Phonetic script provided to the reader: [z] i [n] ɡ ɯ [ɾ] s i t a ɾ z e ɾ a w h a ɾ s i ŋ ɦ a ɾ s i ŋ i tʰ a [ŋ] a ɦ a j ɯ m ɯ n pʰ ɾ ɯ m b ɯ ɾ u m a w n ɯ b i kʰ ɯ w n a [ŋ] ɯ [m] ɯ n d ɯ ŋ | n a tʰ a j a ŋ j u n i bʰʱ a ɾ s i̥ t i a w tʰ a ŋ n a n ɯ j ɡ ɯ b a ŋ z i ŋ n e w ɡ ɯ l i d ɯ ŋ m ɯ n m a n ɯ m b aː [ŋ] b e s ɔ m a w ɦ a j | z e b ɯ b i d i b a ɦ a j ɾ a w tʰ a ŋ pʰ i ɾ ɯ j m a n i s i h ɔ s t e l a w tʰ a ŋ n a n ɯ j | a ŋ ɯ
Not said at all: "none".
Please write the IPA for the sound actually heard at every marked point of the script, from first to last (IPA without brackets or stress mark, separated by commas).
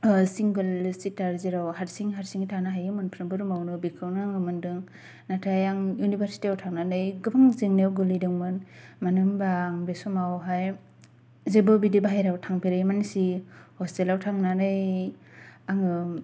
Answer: s, ŋ, l, n, ŋ, m, ŋ